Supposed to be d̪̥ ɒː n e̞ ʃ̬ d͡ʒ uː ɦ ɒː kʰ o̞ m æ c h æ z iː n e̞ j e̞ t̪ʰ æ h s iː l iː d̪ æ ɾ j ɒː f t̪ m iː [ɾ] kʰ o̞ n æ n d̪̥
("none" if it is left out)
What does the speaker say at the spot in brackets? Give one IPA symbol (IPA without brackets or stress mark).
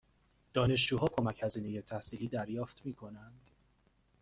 none